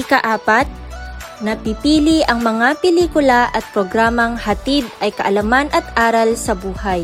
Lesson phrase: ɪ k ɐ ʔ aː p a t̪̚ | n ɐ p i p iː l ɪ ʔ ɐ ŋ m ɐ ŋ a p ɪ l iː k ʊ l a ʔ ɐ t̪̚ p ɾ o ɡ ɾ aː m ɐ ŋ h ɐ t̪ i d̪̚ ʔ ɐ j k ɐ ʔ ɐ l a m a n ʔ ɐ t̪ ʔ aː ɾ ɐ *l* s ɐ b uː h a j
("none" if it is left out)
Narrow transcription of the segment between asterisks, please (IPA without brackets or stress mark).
l